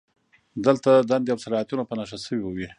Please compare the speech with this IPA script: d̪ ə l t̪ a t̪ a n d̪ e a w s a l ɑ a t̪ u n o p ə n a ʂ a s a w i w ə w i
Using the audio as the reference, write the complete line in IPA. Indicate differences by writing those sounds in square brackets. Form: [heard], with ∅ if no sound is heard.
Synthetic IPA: d̪ ə l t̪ a [d̪] a n d̪ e a w s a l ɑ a t̪ u n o p ə n a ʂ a s [ə] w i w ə w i